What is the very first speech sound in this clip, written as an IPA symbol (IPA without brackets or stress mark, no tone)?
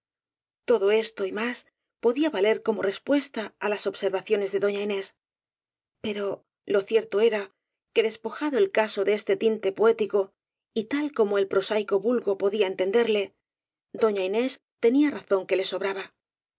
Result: t̪